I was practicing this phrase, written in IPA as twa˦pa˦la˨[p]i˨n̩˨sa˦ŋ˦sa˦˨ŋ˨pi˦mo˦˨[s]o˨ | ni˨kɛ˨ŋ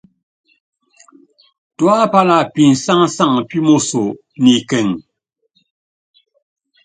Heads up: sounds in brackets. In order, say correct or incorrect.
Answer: correct, correct

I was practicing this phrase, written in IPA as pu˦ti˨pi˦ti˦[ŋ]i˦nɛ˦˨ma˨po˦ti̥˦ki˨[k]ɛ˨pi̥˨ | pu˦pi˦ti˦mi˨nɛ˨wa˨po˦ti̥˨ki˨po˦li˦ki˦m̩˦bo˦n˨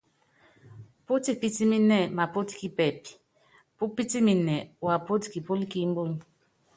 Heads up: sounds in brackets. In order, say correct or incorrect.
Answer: incorrect: m, incorrect: p

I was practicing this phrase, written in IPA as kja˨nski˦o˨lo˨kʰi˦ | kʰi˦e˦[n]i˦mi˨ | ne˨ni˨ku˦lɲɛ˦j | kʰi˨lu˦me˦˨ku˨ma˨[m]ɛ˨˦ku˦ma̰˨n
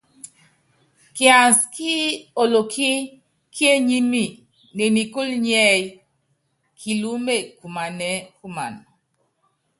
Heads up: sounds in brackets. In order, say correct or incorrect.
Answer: incorrect: ɲ, incorrect: n

